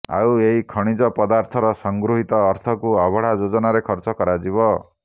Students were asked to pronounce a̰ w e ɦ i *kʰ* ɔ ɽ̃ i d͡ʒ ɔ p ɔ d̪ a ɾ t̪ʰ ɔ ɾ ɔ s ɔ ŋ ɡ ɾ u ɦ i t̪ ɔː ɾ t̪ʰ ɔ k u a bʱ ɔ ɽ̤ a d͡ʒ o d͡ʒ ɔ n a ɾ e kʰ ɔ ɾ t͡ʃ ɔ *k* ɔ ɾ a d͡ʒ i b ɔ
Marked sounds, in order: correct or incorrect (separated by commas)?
correct, correct